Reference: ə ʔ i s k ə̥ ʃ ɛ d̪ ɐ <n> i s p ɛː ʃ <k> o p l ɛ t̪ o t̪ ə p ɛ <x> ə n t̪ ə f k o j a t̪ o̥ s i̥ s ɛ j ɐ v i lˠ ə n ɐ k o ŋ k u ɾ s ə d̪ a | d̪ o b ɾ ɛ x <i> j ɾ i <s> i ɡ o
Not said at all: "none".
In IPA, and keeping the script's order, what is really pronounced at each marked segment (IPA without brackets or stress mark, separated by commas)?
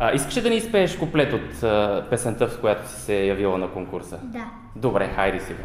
n, k, s, a, s